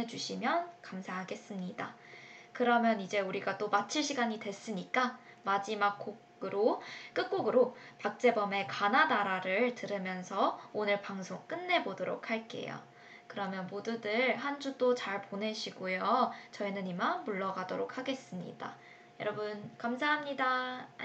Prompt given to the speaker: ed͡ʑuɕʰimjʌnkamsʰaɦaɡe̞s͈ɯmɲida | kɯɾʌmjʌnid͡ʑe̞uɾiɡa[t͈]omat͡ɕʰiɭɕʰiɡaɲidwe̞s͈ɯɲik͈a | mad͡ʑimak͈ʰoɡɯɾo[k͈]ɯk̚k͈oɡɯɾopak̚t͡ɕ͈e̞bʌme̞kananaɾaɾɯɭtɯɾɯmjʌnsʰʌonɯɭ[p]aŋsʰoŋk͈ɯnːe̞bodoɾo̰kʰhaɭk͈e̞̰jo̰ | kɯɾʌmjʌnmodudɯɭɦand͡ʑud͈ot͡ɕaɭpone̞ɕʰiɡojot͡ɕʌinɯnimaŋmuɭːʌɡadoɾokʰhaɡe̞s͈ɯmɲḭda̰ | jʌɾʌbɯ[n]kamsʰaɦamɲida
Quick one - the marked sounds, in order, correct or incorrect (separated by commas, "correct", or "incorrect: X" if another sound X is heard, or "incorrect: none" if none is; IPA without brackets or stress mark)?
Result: correct, correct, correct, correct